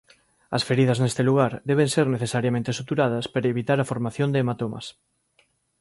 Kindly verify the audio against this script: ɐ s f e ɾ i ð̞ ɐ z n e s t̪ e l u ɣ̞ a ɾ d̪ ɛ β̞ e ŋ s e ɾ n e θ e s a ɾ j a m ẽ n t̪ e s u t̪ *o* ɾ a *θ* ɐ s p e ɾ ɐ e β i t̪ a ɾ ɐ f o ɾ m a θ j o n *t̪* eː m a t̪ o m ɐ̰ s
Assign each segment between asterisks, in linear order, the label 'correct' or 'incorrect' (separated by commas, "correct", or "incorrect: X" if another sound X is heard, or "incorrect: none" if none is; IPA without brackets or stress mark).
incorrect: u, incorrect: ð, incorrect: d̪